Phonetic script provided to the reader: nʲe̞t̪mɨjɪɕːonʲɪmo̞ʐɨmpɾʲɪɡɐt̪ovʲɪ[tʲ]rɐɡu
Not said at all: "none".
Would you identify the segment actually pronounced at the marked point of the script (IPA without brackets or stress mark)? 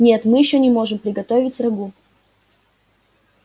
tʲ